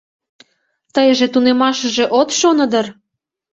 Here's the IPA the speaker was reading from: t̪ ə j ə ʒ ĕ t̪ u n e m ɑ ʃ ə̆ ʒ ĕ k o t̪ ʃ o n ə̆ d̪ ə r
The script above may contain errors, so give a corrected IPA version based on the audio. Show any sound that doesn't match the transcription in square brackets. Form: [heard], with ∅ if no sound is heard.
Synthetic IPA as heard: t̪ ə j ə ʒ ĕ t̪ u n e m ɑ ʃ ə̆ ʒ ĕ [ʔ] o t̪ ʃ o n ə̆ d̪ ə r